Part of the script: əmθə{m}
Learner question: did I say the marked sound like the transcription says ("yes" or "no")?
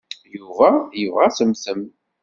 yes